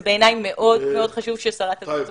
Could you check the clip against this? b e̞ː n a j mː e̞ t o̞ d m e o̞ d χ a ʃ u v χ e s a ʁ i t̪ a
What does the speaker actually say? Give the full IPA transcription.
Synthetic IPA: b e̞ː n a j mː e̞ ʔ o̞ d m e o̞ d χ a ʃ u v ʃ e s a ʁ a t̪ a

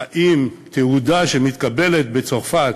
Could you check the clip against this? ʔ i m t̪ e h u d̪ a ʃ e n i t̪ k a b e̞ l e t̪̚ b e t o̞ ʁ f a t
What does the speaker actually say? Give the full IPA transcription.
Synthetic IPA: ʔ i m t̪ e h u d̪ a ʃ e m i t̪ k a b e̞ l e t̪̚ b e t͡s o̞ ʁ f a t

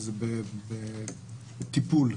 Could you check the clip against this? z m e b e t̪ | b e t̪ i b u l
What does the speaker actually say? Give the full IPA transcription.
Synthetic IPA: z b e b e | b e t̪ i p u l

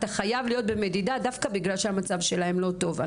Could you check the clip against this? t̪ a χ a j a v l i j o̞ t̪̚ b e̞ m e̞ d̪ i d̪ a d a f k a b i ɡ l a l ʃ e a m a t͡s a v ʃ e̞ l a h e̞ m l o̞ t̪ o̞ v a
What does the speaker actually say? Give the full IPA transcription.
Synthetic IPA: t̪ a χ a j a v l i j o̞ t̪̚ b e̞ m e̞ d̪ i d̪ a d a f k a b i ɡ l a l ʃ e a m a t͡s a v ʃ e̞ l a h e̞ m l o̞ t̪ o̞ v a

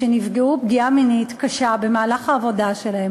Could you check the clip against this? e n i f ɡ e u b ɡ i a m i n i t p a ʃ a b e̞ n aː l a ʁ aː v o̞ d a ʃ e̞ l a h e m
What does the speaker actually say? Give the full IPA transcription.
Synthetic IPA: e n i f ɡ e u b ɡ i a m i n i t k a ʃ a b e̞ m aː l a χ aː v o̞ d a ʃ e̞ l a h e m

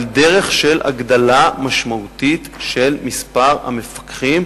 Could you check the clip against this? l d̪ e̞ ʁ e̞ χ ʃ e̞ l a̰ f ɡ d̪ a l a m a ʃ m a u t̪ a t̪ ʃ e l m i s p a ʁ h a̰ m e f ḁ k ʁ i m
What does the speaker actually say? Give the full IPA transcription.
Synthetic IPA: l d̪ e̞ ʁ e̞ χ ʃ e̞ l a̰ ɡ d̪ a l a m a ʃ m a u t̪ i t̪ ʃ e l m i s p a ʁ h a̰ m e f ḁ k χ i m

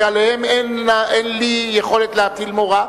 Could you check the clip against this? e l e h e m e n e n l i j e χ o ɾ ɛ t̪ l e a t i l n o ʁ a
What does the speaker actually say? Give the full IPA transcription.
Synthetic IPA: a l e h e m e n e n l i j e χ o l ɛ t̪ l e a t i l m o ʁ a

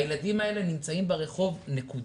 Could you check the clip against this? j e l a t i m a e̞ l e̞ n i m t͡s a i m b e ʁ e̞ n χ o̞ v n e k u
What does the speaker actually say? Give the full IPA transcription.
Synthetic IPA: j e l a d i m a e̞ l e̞ n i m t͡s a i m b e ʁ e̞ χ o̞ v n e k u

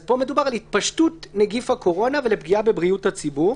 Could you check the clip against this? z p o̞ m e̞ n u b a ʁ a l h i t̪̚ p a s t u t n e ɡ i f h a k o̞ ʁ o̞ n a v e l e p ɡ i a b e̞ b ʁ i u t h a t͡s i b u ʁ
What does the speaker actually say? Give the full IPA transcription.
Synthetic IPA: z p o̞ m e̞ d u b a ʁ a l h i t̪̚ p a ʃ t u t n e ɡ i f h a k o̞ ʁ o̞ n a v e l e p ɡ i a b e̞ b ʁ i u t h a t͡s i b u ʁ

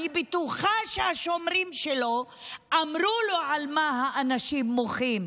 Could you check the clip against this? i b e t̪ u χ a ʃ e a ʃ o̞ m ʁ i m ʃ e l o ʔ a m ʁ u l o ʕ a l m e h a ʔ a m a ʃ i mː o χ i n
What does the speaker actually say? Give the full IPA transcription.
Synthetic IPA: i b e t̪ u χ a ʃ e a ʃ o̞ m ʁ i m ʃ e l o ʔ a m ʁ u l o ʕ a l m a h a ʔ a n a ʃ i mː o χ i m

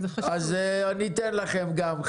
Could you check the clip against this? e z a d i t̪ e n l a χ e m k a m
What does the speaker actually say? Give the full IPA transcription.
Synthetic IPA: a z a n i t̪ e n l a χ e m ɡ a m

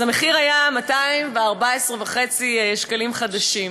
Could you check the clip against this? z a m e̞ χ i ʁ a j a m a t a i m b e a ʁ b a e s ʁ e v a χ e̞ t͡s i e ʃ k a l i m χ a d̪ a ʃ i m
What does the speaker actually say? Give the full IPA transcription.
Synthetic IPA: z a m e̞ χ i ʁ a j a m a t a i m v e a ʁ b a e s ʁ e v a χ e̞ t͡s i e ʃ k a l i m χ a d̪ a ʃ i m

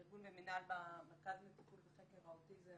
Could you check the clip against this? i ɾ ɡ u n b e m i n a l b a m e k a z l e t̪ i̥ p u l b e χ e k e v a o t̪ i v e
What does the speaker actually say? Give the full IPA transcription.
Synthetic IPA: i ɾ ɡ u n b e m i n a l b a m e k a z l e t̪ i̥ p u l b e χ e k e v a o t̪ i z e

